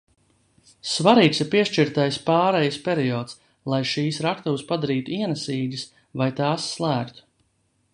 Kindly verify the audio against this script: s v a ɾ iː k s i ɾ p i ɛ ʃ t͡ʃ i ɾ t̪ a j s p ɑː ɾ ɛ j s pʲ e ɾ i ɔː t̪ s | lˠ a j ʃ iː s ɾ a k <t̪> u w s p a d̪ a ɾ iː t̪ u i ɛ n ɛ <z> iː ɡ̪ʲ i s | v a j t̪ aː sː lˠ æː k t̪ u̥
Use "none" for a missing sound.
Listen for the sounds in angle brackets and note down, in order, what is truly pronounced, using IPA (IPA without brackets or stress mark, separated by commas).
t̪, s